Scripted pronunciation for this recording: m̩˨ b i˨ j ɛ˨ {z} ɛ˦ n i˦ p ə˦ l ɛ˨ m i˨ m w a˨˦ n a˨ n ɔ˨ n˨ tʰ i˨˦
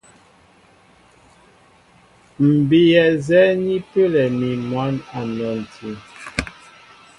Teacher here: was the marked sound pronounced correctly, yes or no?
yes